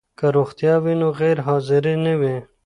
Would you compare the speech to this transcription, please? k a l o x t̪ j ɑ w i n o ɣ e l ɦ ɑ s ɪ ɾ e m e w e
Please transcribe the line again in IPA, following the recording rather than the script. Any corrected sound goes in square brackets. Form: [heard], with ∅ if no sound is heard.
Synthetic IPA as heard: k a [ɾ] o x t̪ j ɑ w i n o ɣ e [ɾ] ɦ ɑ [z] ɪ ɾ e [n] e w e